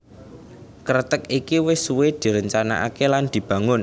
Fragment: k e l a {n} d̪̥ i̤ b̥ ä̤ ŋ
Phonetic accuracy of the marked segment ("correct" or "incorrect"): correct